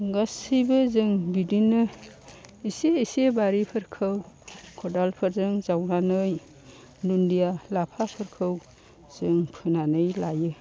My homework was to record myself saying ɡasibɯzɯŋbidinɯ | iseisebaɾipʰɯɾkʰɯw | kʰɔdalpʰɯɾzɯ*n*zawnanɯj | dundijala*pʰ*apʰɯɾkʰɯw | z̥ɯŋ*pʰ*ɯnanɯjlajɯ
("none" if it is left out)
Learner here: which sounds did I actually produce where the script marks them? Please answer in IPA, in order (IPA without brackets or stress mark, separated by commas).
ŋ, pʰ, pʰ